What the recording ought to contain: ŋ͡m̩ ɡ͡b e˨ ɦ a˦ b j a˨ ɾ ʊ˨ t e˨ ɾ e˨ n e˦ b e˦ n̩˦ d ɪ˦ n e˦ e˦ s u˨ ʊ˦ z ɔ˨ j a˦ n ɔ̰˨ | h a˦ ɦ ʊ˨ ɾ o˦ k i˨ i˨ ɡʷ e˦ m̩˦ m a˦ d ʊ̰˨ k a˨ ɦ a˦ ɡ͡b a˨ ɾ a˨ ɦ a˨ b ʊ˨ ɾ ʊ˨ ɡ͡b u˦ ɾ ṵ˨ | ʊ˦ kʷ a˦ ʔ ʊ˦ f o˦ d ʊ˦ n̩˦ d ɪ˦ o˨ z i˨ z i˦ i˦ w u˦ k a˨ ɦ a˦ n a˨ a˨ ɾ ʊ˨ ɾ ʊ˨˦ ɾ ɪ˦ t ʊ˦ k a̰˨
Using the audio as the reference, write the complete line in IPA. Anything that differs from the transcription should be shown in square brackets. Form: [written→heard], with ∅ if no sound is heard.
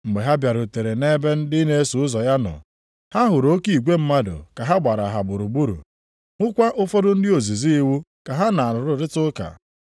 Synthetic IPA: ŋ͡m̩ ɡ͡b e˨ ɦ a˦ b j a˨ ɾ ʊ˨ t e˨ ɾ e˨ n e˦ b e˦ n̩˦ d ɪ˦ n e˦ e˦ s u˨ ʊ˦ z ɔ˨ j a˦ n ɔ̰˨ | h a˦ ɦ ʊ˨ ɾ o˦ k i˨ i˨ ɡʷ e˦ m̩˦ m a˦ d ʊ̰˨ k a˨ ɦ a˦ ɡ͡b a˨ ɾ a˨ ɦ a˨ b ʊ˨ ɾ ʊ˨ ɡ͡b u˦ ɾ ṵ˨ | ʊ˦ kʷ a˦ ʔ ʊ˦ f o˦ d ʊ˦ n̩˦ d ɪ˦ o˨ z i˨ z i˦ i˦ w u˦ k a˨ ɦ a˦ n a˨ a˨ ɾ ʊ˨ ɾ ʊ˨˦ ɾ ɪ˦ t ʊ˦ k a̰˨